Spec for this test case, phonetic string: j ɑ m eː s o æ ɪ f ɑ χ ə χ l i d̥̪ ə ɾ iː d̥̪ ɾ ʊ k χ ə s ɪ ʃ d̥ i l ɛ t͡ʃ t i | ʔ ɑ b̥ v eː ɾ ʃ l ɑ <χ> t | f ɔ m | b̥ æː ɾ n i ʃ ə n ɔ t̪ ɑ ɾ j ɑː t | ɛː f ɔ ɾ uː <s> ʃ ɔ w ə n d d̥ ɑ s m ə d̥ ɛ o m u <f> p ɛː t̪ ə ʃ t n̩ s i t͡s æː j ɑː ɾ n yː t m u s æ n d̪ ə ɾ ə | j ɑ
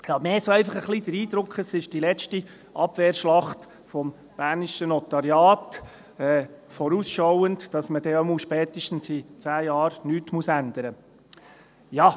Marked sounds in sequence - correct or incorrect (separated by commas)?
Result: correct, correct, incorrect